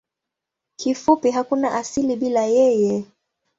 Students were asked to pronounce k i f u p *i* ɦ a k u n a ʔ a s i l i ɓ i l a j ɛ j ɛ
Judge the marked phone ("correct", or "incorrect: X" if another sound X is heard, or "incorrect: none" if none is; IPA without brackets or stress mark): correct